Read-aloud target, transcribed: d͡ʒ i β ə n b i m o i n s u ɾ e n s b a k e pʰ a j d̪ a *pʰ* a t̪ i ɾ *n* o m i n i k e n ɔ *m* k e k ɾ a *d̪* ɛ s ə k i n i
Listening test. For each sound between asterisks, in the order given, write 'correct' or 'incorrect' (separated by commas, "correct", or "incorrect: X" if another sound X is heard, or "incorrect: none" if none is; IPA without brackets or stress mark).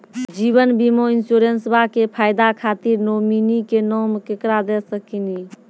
incorrect: kʰ, correct, correct, correct